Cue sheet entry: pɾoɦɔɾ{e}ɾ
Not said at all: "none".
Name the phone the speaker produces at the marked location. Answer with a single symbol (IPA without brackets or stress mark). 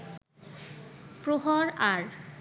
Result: a